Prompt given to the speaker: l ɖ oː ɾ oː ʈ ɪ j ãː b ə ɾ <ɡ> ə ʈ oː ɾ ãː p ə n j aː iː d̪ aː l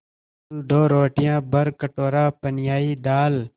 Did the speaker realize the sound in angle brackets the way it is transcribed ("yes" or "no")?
no